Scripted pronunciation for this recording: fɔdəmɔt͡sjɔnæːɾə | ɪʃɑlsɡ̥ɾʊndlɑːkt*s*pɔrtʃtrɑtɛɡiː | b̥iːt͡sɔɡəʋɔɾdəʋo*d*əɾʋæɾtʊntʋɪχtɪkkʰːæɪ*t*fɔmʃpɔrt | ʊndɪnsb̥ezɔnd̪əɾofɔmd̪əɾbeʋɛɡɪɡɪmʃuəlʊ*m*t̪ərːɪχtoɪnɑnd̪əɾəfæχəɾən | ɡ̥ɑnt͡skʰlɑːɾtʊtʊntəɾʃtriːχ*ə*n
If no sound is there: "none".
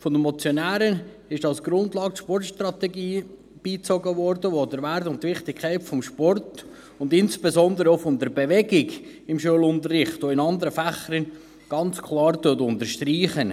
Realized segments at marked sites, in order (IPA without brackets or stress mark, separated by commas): ʃ, d, t, n, ə